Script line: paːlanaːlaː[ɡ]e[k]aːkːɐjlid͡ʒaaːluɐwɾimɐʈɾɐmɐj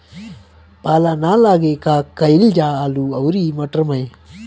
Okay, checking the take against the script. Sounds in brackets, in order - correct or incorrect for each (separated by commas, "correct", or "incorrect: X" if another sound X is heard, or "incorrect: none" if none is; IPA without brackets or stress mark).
correct, correct